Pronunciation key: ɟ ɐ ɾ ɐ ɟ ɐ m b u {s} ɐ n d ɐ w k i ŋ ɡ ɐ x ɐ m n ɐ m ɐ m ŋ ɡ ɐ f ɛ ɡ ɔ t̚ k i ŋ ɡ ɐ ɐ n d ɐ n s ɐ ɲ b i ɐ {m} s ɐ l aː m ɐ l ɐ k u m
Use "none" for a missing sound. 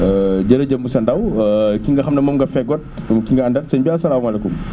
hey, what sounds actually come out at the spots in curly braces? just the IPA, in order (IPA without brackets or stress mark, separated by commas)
s, none